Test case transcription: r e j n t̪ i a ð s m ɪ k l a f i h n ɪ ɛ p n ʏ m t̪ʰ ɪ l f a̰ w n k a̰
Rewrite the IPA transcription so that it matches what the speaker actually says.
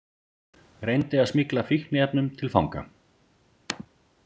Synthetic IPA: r e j n t̪ ɪ a ð s m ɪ k l a f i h n ɪ ɛ p n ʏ m t̪ʰ ɪ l f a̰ w ŋ k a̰